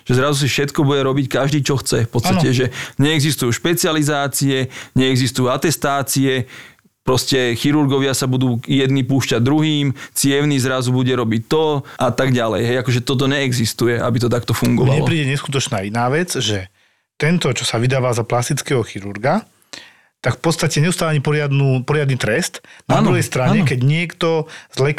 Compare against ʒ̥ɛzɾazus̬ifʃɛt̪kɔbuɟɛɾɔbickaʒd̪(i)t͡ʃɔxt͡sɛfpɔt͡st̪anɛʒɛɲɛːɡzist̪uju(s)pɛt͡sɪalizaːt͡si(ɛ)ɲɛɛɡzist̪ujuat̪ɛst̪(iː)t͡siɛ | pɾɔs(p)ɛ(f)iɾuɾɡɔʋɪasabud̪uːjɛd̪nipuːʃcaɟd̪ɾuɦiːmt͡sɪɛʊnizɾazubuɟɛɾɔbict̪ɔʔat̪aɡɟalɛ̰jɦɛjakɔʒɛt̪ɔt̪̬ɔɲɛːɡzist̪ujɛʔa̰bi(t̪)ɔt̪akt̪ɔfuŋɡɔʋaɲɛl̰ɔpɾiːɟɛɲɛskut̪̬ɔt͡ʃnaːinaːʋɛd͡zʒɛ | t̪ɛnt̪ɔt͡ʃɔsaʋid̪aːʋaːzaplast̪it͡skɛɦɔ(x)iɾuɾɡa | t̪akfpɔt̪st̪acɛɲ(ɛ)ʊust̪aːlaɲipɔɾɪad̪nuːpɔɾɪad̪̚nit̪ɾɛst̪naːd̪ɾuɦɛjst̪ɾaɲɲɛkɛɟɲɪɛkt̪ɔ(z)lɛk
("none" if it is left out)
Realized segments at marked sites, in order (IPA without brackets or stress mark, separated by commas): iː, ʃ, ɛ, aː, c, x, t̪, x, ɛ, z